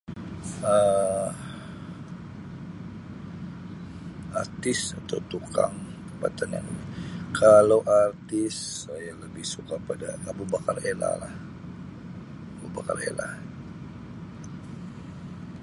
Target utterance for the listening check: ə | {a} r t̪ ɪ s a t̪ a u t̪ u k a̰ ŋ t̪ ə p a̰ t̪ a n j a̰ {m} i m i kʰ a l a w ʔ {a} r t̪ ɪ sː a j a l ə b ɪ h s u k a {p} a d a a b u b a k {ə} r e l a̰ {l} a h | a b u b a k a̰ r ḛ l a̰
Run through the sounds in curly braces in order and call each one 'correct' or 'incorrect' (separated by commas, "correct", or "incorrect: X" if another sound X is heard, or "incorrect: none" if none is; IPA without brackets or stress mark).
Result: correct, incorrect: ŋ, correct, correct, incorrect: a, correct